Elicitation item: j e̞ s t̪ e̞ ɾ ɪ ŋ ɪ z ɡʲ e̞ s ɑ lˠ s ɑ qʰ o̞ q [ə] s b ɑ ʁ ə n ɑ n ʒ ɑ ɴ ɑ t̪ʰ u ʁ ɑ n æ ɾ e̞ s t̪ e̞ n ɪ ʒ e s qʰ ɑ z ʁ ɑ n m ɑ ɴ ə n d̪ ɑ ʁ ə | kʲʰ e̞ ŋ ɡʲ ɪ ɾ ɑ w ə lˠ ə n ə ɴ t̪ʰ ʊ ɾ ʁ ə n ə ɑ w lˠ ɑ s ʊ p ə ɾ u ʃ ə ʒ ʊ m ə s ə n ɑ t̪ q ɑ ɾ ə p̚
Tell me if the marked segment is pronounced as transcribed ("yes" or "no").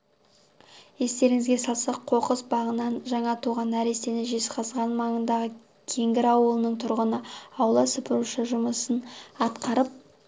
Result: yes